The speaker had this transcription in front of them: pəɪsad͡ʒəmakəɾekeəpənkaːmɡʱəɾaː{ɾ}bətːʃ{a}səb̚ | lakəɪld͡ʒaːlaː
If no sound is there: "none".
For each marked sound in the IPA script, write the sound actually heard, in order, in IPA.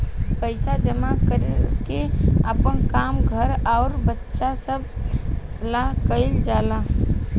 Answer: ɾ, a

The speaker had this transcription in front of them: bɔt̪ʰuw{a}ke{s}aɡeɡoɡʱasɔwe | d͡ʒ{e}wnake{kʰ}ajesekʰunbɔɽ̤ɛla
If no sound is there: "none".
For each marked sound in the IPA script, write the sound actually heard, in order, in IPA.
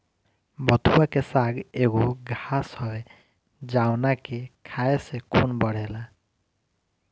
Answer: a, s, a, kʰ

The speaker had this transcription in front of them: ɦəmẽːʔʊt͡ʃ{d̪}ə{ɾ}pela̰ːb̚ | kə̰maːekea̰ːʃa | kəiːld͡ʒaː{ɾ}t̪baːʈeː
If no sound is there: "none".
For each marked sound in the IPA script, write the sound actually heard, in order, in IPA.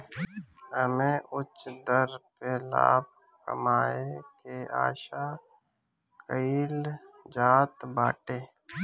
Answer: d̪, ɾ, none

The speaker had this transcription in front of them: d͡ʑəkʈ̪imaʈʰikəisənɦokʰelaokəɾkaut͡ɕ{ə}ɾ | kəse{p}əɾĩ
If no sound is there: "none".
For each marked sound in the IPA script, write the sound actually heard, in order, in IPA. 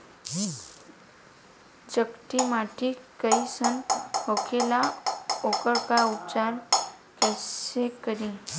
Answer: a, k

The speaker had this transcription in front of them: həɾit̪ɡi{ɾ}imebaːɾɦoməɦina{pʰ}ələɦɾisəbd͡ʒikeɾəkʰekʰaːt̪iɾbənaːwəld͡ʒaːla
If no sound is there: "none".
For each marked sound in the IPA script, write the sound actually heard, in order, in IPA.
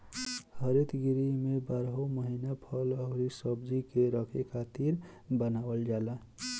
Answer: ɾ, pʰ

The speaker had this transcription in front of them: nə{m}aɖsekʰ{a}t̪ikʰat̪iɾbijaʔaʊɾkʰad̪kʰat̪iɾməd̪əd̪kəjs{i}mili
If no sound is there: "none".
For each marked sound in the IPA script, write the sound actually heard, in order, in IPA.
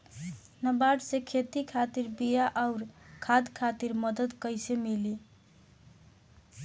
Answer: b, e, e

